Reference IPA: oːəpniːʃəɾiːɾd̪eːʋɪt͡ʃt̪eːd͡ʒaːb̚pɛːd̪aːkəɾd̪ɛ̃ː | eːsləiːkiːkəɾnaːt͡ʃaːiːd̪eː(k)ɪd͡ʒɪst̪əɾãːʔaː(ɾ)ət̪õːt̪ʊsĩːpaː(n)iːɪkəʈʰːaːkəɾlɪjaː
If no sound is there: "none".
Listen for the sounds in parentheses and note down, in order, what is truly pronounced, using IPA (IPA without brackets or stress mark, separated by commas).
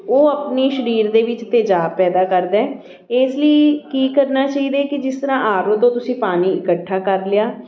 k, ɾ, n